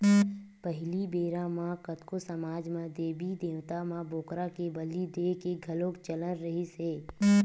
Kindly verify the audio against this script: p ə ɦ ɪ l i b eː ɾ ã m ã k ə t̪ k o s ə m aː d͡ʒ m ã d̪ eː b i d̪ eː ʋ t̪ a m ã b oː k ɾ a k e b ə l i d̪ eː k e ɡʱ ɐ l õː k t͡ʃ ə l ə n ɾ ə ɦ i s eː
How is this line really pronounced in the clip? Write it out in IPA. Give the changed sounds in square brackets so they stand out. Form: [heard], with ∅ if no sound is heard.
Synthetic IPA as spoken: p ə ɦ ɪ l i b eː ɾ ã m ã k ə t̪ k o s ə m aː d͡ʒ m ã d̪ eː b i d̪ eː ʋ t̪ a m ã b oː k ɾ a k e b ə l i d̪ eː k e ɡʱ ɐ l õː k t͡ʃ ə l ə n ɾ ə ɦ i s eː